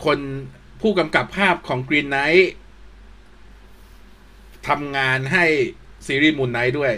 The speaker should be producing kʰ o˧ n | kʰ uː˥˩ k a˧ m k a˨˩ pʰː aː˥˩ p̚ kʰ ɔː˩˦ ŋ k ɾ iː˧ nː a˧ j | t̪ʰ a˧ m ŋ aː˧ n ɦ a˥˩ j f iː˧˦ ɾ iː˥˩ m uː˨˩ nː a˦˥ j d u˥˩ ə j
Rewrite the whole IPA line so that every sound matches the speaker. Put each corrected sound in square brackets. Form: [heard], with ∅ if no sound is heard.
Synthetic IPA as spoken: kʰ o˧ n | [pʰ] uː˥˩ k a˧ m k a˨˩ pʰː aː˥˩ p̚ kʰ ɔː˩˦ ŋ k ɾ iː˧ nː [a˦˥] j | t̪ʰ a˧ m ŋ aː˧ n ɦ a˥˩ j [s] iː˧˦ ɾ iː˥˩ m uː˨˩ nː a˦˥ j d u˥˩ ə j